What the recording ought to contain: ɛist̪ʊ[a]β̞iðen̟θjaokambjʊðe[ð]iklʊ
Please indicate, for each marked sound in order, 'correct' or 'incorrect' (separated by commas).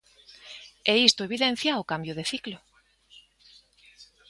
incorrect, incorrect